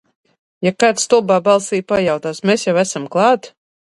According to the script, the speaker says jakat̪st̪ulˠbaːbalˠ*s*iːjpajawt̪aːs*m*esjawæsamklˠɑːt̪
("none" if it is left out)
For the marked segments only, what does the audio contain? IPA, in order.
s, m

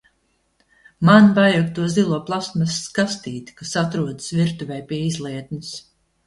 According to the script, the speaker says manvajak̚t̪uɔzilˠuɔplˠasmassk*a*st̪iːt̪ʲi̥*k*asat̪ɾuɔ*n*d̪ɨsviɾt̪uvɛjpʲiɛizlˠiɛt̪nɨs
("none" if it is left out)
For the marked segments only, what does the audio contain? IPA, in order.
a, k, none

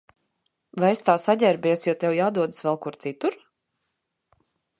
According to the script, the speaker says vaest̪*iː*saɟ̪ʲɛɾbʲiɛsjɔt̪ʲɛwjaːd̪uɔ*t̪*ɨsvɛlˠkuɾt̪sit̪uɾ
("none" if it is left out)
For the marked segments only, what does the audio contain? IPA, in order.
aː, d̪

